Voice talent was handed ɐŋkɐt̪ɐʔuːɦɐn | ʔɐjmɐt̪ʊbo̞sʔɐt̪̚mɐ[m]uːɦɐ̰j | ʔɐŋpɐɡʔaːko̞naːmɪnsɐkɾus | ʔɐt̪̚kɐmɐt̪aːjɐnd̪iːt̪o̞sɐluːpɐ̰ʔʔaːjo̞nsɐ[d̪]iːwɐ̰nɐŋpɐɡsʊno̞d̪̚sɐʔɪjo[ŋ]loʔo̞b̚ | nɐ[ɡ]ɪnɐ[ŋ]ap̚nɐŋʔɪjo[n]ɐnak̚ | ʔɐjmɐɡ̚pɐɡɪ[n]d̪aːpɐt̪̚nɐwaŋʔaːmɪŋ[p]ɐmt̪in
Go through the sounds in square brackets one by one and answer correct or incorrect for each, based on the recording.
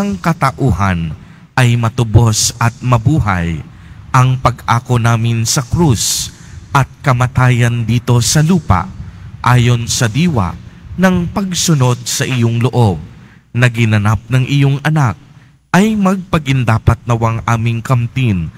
incorrect: b, correct, correct, correct, incorrect: n, incorrect: ŋ, correct, incorrect: k

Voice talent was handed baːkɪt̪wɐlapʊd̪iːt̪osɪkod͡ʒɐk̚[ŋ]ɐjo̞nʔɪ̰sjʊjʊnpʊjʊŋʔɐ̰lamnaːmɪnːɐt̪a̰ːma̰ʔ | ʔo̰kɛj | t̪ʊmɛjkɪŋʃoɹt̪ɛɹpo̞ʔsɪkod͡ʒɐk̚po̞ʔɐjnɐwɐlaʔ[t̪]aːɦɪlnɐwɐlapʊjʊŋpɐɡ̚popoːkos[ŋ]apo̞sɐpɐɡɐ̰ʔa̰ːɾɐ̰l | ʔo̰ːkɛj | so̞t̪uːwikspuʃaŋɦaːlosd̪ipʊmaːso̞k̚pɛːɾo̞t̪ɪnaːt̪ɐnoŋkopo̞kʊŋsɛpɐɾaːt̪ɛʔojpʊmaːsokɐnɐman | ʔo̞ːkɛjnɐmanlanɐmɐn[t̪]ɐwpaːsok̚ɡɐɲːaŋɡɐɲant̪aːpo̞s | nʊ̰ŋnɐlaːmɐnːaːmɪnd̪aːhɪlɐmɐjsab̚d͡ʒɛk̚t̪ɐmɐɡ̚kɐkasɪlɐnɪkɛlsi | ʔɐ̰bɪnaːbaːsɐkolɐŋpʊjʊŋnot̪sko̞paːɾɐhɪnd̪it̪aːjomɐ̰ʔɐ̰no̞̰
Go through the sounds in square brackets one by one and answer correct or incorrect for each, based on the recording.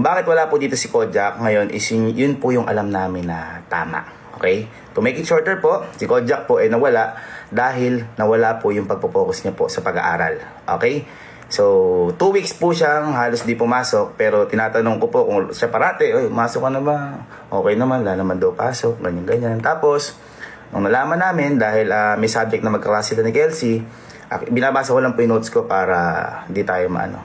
correct, incorrect: d̪, incorrect: ɲ, incorrect: d̪

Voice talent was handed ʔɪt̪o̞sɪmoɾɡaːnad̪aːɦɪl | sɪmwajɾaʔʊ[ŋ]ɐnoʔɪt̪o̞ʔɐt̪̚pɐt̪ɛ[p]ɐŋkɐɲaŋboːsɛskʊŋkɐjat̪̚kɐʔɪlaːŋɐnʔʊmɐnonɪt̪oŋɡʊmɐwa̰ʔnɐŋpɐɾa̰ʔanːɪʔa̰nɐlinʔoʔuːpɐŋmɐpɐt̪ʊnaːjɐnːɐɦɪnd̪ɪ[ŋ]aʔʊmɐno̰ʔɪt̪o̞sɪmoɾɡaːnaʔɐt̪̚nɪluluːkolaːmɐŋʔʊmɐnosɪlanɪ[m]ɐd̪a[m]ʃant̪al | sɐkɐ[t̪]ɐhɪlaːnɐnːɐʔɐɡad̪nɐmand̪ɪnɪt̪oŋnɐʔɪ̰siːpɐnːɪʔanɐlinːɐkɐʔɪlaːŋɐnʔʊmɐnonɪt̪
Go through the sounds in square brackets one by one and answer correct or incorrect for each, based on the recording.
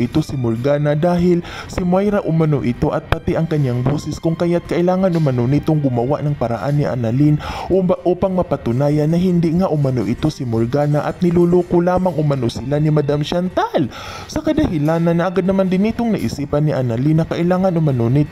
incorrect: m, incorrect: ʔ, correct, correct, correct, incorrect: d̪

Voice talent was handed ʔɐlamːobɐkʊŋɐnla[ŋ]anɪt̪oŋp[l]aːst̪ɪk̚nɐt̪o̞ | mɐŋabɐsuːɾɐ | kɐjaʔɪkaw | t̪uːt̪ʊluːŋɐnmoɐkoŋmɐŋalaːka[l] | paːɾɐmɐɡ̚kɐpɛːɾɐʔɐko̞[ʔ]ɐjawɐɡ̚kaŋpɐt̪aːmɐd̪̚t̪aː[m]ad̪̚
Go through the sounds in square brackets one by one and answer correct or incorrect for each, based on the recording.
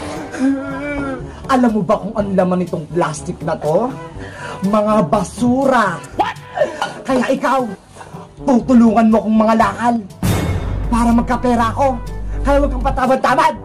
incorrect: m, correct, correct, incorrect: k, correct

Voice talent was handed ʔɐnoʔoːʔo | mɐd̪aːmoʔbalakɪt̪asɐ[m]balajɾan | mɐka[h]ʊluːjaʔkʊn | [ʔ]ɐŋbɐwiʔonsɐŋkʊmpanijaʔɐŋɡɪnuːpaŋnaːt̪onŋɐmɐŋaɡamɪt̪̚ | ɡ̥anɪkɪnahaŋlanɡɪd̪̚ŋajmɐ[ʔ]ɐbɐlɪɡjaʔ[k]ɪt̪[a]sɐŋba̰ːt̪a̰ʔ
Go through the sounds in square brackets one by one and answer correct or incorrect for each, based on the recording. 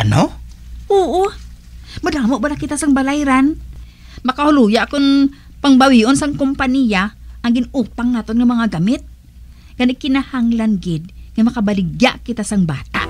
incorrect: ŋ, correct, incorrect: p, incorrect: k, correct, correct

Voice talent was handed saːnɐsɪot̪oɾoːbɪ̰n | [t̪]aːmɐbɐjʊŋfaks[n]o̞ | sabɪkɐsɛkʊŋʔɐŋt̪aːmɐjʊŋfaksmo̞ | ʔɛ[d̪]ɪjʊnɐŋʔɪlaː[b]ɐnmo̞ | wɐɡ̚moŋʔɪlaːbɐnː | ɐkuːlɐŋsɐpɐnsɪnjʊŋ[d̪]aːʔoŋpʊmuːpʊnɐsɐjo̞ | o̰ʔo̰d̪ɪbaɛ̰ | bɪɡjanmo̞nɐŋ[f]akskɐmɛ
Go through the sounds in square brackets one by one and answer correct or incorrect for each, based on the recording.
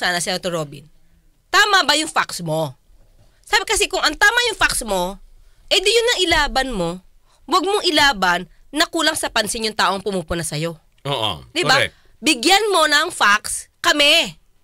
correct, incorrect: m, correct, correct, incorrect: t̪, correct

